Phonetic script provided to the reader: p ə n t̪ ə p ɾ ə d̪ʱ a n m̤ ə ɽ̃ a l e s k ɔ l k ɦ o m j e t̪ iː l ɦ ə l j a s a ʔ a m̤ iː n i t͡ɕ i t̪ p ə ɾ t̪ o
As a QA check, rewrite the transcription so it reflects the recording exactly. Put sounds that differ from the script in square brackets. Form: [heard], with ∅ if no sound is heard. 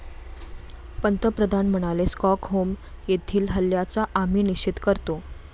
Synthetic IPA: p ə n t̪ ə p ɾ ə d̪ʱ a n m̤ ə ɽ̃ a l e s k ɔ [∅] k ɦ o m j e [t̪ʰ] iː l ɦ ə l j a [t͡s] a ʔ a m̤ iː n i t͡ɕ i t̪ [k] ə ɾ t̪ o